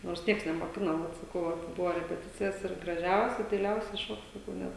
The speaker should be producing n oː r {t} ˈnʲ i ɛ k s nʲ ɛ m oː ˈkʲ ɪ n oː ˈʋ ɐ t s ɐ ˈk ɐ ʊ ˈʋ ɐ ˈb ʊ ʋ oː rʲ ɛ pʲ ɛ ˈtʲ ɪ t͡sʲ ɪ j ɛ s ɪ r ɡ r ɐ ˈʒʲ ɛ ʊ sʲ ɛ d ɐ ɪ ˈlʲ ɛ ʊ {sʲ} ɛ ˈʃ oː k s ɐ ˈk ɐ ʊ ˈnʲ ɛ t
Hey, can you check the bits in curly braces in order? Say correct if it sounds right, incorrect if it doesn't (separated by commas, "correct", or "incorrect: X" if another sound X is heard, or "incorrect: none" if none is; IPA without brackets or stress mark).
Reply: incorrect: s, correct